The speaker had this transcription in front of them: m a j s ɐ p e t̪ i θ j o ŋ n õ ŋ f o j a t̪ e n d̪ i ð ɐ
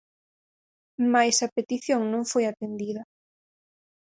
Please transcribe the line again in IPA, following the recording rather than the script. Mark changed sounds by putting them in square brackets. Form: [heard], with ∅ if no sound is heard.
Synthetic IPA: m a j s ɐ p e t̪ i θ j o ŋ n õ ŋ f o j a t̪ e n d̪ i ð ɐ